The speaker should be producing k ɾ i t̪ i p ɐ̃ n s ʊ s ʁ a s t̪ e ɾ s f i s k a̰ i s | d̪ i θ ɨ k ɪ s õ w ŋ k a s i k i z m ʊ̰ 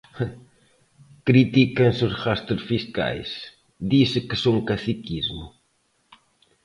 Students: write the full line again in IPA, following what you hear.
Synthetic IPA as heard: k ɾ i t̪ i k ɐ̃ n s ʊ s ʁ a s t̪ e ɾ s f i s k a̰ j s | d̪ i s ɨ k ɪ s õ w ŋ k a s i k i z m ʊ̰